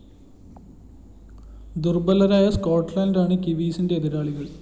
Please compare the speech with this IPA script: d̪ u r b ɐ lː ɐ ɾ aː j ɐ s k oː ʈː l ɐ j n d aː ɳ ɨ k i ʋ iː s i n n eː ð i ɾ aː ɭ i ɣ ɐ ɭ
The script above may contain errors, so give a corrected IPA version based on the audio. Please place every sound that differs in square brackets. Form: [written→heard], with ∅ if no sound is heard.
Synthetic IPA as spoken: d̪ u r b ɐ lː ɐ ɾ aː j ɐ s k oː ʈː l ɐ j n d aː ɳ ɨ k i ʋ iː s i n [n→d] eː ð i ɾ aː ɭ i ɣ ɐ ɭ